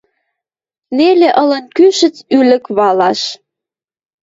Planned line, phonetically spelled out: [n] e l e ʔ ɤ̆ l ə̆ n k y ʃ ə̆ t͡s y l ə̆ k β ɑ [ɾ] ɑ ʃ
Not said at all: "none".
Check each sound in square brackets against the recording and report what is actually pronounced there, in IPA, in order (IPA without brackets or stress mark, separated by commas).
n, l